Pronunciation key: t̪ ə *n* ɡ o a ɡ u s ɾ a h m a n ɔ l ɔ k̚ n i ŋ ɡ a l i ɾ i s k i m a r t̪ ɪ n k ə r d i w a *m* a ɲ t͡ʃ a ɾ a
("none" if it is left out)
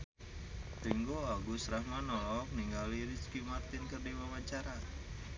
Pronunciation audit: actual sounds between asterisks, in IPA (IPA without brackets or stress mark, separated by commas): ŋ, m